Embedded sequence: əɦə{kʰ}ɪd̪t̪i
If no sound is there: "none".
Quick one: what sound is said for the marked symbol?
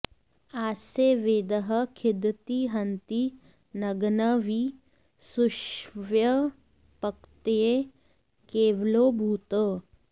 kʰ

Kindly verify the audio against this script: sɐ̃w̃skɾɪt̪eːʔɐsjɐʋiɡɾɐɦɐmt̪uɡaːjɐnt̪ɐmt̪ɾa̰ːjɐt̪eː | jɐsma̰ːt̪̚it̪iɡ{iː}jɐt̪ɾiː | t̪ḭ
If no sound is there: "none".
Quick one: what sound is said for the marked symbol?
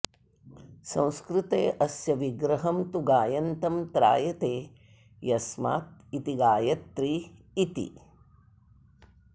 aː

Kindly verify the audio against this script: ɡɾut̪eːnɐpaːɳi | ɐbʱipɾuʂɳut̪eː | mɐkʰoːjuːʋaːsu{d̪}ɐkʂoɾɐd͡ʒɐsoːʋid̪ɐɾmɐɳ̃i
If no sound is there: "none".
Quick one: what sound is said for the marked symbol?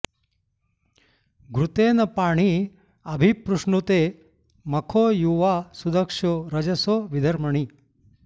d̪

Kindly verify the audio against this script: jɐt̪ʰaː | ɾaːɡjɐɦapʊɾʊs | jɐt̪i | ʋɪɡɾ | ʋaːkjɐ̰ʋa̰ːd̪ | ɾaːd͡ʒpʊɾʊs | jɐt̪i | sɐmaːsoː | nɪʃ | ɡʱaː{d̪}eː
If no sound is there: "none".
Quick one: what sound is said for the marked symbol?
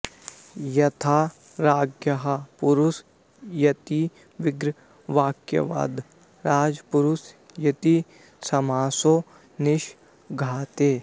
t̪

